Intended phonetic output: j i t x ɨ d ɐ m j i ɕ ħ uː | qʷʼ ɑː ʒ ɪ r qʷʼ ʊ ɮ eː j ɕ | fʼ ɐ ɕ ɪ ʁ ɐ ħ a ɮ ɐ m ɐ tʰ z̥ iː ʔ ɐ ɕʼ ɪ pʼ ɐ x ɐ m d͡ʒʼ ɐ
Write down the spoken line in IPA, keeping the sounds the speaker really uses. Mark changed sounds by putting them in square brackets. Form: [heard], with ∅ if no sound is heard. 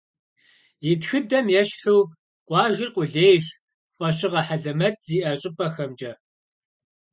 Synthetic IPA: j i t x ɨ d ɐ m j [ɛ] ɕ ħ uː | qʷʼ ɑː ʒ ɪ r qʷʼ ʊ ɮ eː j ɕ | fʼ ɐ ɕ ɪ ʁ ɐ ħ a ɮ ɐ m ɐ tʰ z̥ iː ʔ ɐ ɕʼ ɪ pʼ ɐ x ɐ m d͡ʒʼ ɐ